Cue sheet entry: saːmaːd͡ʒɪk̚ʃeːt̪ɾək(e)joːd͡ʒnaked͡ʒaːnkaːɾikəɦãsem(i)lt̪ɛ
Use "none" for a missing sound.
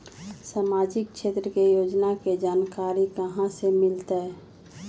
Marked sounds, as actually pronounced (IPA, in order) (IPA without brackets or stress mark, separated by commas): e, ɪ